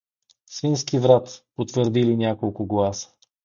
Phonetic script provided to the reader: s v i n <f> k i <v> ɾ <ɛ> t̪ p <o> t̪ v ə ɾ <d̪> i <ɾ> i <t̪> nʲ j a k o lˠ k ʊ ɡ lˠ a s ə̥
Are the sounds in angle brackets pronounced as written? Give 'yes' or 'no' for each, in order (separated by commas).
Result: no, yes, no, yes, yes, no, no